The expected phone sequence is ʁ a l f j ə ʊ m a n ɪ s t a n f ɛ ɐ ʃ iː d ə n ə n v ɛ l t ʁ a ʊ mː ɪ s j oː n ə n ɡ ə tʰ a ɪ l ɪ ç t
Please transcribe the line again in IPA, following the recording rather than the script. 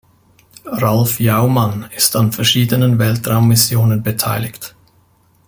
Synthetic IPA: ʁ a l f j a ʊ m a n ɪ s t a n f ɛ ɐ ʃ iː d ə n ə n v ɛ l t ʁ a ʊ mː ɪ s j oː n ə n b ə tʰ a ɪ l ɪ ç t